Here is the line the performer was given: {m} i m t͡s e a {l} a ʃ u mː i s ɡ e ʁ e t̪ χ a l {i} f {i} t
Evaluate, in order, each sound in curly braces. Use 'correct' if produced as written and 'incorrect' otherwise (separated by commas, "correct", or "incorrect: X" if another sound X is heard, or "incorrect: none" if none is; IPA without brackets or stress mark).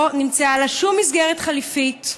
incorrect: n, correct, correct, correct